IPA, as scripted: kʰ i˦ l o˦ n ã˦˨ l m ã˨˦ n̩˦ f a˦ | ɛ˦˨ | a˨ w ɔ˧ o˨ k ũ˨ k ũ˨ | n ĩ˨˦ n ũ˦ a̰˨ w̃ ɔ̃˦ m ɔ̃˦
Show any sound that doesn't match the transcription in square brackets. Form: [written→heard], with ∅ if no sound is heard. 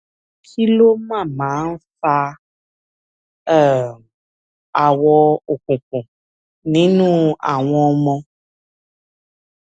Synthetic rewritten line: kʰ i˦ l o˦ [n→m] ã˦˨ [l→∅] m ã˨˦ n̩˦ f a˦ | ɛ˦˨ | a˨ w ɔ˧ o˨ k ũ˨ k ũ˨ | n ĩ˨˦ n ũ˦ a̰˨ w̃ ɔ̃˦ m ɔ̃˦